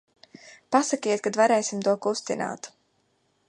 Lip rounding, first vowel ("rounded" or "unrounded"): unrounded